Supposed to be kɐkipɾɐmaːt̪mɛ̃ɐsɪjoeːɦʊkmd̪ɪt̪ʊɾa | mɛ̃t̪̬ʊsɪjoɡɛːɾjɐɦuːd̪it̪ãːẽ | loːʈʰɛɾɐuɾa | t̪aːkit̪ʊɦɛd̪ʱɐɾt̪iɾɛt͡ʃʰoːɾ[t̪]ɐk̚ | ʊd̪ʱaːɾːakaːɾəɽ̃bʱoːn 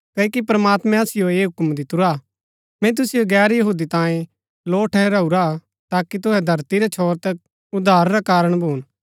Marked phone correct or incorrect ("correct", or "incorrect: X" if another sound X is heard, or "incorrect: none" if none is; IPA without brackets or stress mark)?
correct